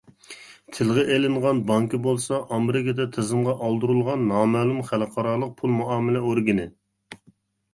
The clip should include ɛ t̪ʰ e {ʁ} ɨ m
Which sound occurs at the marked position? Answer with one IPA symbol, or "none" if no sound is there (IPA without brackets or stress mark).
z